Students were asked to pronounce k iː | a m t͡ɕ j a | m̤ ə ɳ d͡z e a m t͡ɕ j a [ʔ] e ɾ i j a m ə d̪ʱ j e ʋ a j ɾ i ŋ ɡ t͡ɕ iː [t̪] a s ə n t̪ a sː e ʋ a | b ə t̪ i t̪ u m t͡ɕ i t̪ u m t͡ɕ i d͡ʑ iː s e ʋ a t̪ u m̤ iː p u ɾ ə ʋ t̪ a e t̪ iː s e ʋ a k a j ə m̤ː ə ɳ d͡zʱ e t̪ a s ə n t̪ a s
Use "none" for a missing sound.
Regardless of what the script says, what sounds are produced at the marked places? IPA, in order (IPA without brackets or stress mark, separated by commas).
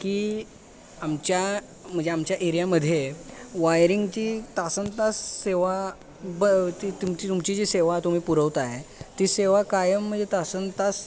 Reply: ʔ, t̪